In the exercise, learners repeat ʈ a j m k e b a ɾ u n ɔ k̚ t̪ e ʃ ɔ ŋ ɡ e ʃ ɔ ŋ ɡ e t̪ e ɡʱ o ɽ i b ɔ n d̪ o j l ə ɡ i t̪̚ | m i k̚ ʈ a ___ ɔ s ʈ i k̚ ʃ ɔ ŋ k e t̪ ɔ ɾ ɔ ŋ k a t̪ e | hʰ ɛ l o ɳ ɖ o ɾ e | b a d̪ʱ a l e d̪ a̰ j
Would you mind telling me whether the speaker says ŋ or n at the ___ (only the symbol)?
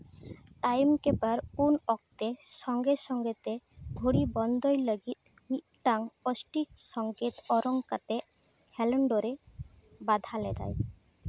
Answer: ŋ